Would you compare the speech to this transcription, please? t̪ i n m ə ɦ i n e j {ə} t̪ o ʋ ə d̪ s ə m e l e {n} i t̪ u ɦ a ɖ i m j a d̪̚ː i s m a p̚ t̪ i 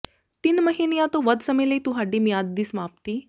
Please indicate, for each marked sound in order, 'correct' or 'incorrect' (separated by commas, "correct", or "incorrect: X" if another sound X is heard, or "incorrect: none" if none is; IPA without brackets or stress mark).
incorrect: a, incorrect: none